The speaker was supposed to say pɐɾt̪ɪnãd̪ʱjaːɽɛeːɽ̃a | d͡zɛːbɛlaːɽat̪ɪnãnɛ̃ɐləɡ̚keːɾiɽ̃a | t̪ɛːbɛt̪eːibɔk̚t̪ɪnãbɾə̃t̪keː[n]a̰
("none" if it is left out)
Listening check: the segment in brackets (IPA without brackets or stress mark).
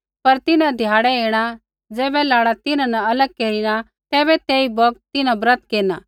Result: n